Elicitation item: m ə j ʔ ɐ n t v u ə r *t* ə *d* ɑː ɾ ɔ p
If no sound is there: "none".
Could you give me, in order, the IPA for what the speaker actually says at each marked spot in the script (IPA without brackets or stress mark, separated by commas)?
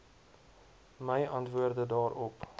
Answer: d, d